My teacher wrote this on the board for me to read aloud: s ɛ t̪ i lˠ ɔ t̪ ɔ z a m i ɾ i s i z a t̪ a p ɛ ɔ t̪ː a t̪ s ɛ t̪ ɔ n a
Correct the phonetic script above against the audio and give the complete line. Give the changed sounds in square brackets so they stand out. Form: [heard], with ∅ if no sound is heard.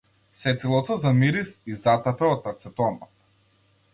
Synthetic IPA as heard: s ɛ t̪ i lˠ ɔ t̪ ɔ z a m i ɾ i s i z a t̪ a p ɛ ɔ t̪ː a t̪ s ɛ t̪ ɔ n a